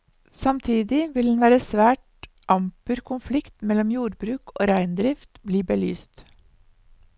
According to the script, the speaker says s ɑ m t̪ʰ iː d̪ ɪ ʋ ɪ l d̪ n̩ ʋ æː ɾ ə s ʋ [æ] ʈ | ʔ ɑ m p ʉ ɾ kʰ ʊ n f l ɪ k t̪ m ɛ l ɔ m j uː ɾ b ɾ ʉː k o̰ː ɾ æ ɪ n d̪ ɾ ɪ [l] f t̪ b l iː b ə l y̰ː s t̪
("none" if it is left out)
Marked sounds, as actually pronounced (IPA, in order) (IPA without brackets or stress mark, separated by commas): æː, none